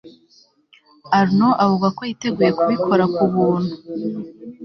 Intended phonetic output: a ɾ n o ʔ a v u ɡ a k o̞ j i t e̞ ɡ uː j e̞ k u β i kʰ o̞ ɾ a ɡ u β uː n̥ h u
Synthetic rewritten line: a ɾ n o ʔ a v u ɡ a k o̞ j i t e̞ ɡ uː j e̞ k u β i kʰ o̞ ɾ a k u β uː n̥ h u